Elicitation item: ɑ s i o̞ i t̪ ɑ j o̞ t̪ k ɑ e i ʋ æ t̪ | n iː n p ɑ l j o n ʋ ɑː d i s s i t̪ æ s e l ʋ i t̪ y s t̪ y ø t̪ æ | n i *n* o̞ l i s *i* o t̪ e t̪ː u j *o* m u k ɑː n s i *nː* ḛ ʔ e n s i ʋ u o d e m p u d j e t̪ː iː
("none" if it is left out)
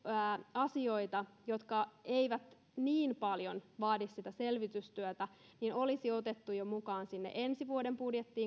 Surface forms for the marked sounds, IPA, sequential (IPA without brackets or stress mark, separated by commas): n, i, o, nː